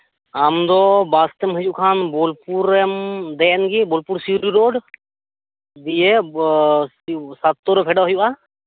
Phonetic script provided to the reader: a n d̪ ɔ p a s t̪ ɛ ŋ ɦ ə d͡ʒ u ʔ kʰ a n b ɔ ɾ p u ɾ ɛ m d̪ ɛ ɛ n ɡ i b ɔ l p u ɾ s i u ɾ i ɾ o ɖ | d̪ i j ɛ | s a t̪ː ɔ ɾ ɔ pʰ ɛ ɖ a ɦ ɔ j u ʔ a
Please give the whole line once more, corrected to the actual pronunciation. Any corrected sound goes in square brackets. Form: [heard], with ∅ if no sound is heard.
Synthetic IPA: a [m] d̪ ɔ [b] a s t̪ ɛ [m] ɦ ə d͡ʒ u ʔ kʰ a n b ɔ [l] p u ɾ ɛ m d̪ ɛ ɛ n ɡ i b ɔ l p u ɾ s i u ɾ i ɾ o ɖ | d̪ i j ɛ | s a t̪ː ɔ ɾ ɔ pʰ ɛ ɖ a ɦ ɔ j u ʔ a